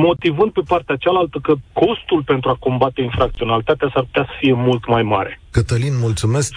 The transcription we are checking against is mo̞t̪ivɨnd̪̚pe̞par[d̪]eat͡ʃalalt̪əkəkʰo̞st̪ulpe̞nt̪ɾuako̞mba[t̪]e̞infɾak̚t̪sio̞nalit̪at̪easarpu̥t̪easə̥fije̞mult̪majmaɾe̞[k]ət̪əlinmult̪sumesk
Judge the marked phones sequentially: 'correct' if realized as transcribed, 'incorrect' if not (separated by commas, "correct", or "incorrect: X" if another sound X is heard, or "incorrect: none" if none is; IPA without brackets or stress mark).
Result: incorrect: t̪, correct, correct